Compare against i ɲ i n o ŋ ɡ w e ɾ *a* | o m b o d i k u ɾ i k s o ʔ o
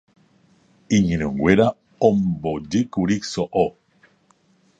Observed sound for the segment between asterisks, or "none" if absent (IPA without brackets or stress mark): a